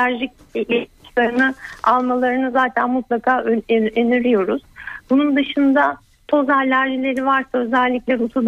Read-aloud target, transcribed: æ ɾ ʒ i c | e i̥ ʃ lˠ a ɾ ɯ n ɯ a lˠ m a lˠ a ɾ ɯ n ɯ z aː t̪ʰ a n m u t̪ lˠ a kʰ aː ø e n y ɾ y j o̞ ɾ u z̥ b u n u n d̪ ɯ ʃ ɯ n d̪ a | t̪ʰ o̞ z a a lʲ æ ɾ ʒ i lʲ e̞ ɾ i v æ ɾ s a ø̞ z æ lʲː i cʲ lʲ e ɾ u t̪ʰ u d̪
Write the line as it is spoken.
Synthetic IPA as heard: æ ɾ ʒ i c | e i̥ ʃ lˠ a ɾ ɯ n ɯ a lˠ m a lˠ a ɾ ɯ n ɯ z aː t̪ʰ æ n m u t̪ lˠ a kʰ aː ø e n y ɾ y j o̞ ɾ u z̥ b u n u n d̪ ɯ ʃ ɯ n d̪ a | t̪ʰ o̞ z a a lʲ æ ɾ ʒ i lʲ e̞ ɾ i v a ɾ s a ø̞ z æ lʲː i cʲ lʲ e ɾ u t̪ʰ u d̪